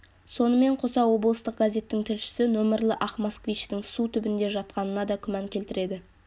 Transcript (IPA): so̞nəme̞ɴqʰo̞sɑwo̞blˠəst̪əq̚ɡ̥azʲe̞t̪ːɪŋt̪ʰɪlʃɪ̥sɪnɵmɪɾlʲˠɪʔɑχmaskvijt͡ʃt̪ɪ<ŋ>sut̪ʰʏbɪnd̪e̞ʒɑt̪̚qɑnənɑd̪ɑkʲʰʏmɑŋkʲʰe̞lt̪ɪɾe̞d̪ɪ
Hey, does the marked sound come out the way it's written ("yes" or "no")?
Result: yes